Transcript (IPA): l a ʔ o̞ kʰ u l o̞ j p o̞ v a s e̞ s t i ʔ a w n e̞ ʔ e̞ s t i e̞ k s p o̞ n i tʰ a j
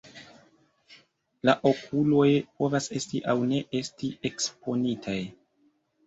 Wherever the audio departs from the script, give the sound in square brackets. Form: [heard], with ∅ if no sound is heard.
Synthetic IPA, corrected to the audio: l a ʔ o̞ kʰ u l o̞ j p o̞ v a s e̞ s t i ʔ a w n e̞ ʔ e̞ s t i e̞ k s p o̞ n i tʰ a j